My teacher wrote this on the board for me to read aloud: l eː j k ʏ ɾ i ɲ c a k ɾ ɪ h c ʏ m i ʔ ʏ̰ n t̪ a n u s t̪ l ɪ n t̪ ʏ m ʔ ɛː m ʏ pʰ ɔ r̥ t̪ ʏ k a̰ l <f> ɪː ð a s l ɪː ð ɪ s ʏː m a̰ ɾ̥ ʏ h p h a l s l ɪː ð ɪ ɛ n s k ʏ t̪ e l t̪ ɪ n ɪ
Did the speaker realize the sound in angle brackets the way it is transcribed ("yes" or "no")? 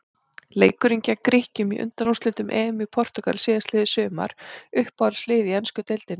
no